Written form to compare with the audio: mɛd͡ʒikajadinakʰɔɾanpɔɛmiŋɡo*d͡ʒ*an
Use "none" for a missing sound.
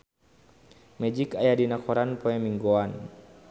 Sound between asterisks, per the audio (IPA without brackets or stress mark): none